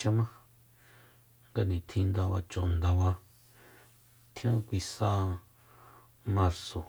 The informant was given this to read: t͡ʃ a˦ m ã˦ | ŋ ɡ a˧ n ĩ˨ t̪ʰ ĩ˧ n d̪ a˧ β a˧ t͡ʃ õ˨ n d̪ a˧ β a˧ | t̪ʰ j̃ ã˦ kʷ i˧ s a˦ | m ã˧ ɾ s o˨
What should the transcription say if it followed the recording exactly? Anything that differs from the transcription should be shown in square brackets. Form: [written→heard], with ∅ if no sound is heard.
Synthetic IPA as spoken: t͡ʃ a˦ m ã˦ | ŋ ɡ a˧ n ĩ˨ t̪ʰ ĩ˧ n d̪ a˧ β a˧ t͡ʃ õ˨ n d̪ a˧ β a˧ | t̪ʰ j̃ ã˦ kʷ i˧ s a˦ | m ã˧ ɾ s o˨